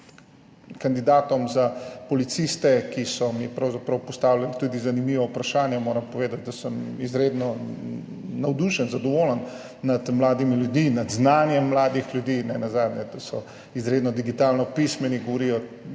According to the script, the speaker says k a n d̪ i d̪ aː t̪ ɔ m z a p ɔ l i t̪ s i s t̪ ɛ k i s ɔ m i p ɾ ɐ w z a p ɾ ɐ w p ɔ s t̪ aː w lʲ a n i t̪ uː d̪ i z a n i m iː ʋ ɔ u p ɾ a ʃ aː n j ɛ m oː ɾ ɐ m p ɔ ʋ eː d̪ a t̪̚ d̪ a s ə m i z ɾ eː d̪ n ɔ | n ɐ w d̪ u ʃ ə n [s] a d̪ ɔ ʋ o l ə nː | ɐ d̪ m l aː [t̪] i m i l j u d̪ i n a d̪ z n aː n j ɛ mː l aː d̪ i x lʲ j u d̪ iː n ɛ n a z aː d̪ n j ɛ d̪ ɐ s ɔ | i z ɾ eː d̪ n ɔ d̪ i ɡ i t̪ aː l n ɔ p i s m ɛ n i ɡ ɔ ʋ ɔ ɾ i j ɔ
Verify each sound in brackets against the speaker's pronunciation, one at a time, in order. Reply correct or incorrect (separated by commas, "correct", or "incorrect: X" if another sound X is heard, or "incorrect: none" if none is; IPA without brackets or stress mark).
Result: incorrect: z, incorrect: d̪